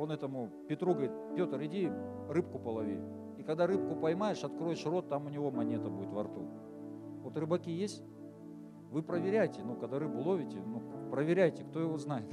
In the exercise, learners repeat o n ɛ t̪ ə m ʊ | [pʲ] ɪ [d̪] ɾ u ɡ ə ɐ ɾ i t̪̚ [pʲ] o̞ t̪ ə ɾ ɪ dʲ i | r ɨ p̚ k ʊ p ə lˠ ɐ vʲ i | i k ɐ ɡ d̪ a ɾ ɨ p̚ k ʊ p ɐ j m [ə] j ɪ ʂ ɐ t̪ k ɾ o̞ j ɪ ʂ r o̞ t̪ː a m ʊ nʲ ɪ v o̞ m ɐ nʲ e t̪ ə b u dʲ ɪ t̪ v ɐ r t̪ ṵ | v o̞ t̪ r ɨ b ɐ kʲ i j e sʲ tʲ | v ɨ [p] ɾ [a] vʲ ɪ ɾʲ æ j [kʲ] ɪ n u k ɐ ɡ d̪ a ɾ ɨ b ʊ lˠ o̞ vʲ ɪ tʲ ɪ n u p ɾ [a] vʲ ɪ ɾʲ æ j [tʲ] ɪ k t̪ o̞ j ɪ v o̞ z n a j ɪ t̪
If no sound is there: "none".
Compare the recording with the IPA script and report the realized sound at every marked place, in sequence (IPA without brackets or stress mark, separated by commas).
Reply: pʲ, t̪, pʲ, a, p, ə, tʲ, ə, tʲ